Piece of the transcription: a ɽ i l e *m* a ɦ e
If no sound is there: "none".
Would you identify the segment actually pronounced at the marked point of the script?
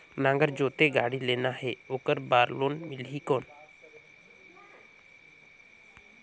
n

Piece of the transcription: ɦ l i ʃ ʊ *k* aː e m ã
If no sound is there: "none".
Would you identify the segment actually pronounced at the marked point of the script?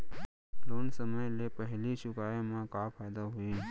k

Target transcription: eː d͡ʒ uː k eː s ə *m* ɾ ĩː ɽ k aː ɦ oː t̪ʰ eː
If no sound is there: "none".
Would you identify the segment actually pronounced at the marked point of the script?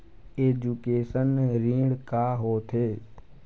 n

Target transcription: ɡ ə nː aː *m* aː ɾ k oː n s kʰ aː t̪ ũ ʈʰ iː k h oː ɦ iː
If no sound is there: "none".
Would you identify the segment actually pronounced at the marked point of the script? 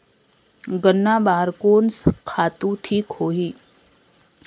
b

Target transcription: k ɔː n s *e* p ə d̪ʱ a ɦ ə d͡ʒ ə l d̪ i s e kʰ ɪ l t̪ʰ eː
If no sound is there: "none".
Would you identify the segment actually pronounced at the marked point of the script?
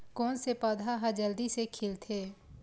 e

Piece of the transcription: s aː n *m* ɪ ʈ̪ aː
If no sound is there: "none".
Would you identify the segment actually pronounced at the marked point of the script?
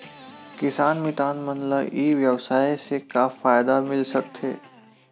m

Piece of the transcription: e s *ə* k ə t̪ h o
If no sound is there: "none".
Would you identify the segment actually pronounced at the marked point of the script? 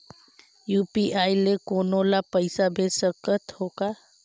ə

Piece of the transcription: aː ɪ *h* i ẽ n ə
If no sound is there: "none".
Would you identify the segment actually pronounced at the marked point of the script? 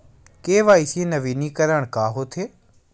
s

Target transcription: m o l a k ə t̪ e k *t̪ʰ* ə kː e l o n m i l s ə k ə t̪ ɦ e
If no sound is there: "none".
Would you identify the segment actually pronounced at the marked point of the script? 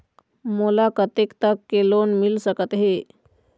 t̪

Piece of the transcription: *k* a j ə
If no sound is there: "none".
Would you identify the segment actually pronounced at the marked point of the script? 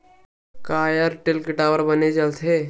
k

